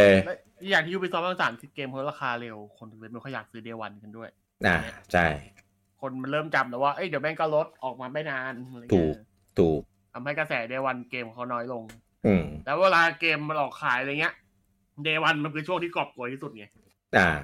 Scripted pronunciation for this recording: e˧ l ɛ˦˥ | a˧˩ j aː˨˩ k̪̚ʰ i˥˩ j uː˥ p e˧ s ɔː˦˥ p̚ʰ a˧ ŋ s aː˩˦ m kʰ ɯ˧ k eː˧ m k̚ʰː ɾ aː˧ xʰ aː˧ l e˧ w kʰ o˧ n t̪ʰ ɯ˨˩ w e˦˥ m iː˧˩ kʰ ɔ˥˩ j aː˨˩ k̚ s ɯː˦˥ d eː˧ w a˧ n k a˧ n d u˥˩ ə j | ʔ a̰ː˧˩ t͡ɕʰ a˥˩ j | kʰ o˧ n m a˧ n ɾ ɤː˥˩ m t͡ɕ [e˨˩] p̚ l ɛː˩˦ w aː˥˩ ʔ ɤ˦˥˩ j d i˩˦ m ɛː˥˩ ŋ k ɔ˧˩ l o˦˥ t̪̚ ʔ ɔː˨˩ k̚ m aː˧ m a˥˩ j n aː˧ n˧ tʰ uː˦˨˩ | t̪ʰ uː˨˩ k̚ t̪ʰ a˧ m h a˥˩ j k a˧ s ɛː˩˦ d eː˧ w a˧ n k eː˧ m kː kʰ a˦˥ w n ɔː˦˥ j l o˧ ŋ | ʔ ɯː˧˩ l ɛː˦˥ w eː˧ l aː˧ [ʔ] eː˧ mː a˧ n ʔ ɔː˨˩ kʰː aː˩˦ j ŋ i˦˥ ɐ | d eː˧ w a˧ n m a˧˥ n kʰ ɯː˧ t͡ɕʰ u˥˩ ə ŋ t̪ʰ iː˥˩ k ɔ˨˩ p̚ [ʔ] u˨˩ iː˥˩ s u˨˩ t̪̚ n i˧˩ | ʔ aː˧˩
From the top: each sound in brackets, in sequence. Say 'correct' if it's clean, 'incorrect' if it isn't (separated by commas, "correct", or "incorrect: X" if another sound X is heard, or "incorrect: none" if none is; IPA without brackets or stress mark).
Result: incorrect: a˨˩, incorrect: k, incorrect: k